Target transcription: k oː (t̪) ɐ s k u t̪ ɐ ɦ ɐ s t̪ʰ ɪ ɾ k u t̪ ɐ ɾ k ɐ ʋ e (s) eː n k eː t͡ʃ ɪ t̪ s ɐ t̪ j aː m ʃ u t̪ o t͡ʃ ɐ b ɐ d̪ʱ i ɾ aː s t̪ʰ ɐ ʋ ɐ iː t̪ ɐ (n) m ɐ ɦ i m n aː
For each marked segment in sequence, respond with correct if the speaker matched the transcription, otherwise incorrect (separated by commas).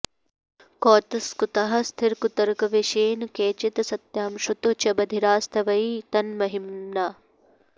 correct, incorrect, correct